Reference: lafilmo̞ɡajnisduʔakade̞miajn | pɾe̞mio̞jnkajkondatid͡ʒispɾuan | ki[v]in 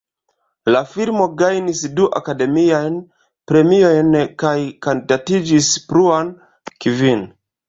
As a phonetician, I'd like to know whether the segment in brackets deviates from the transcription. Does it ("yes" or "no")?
no